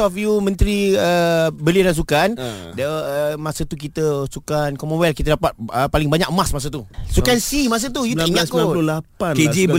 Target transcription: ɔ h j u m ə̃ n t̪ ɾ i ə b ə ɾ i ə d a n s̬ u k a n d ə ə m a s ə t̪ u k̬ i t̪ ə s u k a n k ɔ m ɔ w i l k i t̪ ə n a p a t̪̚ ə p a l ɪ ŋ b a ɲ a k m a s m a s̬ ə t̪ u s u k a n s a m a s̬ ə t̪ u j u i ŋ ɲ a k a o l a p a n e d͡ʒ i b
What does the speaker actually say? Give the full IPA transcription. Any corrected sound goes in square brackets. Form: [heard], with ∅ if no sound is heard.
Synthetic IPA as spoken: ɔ [f] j u m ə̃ n t̪ ɾ i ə b ə [l] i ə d a n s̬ u k a n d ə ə m a s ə t̪ u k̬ i t̪ ə s u k a n k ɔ m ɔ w [ɛ] l k i t̪ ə [d] a p a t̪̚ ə p a l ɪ ŋ b a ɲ a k m a s m a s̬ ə t̪ u s u k a n s [i] m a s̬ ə t̪ u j u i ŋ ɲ a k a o l a p a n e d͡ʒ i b